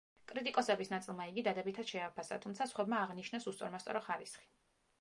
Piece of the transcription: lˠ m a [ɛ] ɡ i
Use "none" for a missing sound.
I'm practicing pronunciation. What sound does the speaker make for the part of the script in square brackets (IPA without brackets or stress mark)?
i